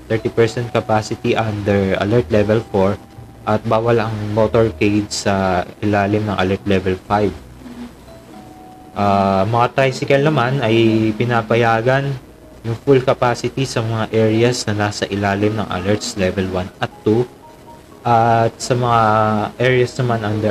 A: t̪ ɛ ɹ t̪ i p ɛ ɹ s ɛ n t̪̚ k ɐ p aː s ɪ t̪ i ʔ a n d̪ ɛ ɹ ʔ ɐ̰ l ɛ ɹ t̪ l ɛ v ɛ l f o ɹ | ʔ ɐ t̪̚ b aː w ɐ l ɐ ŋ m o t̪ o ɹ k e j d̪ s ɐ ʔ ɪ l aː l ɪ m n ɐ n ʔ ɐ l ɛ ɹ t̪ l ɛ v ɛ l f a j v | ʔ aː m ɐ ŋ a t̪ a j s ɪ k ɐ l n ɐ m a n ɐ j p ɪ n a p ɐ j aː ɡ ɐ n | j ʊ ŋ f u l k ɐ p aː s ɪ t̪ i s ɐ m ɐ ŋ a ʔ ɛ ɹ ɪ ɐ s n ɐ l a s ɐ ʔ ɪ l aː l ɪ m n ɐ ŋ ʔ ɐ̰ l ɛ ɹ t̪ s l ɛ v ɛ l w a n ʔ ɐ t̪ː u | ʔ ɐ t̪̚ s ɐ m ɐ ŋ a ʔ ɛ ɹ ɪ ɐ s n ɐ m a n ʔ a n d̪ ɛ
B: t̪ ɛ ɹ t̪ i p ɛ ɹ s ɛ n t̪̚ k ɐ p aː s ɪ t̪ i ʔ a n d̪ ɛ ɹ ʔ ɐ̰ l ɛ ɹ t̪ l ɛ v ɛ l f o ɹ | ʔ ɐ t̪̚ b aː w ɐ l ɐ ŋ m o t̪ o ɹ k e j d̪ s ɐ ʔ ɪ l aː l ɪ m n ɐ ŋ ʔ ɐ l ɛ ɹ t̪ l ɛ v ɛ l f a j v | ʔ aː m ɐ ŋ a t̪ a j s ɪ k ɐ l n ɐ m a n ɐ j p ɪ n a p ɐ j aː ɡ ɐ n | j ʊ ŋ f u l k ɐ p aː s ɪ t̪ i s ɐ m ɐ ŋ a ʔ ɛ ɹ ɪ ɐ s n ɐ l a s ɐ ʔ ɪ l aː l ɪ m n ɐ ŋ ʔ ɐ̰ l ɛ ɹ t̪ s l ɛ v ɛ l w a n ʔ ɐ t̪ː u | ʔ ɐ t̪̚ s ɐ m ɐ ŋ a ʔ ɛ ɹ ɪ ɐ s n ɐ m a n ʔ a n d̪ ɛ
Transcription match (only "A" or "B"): B